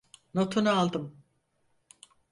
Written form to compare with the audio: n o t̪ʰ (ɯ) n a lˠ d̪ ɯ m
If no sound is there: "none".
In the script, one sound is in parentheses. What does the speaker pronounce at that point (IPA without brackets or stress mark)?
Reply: u